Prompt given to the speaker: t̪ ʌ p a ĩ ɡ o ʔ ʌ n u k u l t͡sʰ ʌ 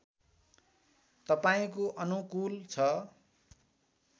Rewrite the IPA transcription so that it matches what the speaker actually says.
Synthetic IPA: t̪ ʌ p a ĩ k o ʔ ʌ n u k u l t͡sʰ ʌ